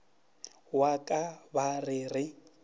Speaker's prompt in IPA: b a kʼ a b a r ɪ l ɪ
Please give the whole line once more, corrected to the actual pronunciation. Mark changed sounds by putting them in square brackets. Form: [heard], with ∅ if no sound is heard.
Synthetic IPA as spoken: [w] a kʼ a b a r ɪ [r] ɪ